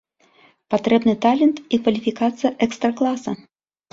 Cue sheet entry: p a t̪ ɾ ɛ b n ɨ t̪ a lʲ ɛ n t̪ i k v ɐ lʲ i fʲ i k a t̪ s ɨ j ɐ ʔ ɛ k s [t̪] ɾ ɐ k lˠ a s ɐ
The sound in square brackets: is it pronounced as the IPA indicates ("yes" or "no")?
yes